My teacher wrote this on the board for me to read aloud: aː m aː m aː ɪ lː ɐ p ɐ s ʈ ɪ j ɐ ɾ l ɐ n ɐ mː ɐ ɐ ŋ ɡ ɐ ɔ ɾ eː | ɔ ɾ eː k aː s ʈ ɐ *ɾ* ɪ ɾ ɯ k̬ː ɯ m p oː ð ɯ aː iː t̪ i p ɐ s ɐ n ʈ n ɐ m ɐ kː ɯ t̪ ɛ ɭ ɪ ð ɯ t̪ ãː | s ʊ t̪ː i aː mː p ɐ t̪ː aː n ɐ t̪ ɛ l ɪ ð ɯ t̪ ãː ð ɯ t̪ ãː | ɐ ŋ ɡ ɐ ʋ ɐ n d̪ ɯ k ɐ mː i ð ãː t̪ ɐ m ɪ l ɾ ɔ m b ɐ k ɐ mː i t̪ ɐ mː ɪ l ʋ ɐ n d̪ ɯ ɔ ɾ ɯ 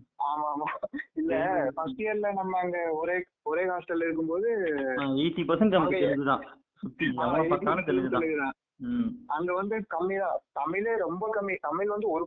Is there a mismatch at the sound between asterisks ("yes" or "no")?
yes